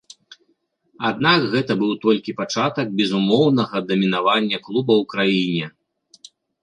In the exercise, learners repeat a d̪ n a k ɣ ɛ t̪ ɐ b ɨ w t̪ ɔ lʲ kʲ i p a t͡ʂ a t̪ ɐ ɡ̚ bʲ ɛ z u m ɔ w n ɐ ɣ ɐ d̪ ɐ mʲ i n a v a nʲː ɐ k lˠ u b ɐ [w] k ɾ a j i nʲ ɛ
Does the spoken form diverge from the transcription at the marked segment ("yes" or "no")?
no